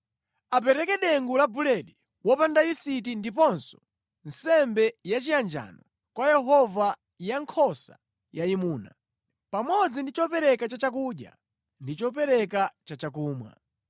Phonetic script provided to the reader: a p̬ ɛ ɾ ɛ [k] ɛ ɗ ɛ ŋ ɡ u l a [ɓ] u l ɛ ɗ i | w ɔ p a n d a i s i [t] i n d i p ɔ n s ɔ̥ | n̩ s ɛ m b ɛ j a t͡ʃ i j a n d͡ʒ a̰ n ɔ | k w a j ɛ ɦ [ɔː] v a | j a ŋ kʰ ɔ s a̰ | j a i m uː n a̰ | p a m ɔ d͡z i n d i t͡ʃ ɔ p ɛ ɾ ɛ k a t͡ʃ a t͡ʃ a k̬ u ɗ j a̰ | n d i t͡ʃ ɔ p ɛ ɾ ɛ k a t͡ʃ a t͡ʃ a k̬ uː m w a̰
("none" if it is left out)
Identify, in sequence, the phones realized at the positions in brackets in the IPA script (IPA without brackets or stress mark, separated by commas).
k, b, t, ɔ